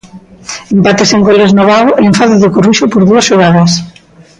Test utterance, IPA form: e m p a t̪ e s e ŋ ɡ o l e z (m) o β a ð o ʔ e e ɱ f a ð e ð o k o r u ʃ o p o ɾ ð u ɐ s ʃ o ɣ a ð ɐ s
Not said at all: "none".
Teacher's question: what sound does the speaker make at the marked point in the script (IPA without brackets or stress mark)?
n